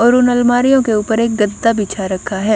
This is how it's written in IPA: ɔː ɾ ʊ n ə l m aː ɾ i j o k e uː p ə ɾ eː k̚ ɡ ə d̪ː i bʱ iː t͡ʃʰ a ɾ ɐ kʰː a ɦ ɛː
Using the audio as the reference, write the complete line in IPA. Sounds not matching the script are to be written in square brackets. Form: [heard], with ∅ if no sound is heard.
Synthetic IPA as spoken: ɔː ɾ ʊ n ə l m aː ɾ i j [õ] k e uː p ə ɾ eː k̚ ɡ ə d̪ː [a] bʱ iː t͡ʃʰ a ɾ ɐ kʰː a ɦ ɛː